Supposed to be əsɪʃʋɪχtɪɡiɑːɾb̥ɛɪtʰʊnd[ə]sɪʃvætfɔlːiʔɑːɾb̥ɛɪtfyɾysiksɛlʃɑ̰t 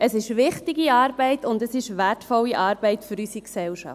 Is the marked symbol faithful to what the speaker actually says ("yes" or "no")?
yes